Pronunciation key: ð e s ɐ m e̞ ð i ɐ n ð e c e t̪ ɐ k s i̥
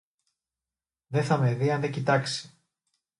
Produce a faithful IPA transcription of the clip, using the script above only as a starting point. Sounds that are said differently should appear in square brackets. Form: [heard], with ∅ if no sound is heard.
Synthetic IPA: ð e [θ] ɐ m e̞ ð i ɐ n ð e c [i] t̪ ɐ k s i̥